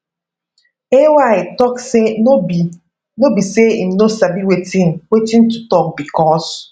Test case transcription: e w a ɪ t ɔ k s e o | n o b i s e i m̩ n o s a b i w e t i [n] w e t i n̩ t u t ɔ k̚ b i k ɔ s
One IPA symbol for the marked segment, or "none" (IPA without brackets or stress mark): n